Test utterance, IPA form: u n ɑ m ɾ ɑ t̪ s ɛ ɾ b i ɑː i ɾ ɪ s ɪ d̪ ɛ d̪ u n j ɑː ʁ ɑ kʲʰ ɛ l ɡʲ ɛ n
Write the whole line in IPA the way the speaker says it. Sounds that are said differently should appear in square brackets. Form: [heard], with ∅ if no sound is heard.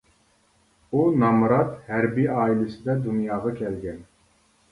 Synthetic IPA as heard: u n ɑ m ɾ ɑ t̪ [h] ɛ ɾ b i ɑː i [l] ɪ s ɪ d̪ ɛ d̪ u n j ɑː ʁ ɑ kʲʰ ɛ l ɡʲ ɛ n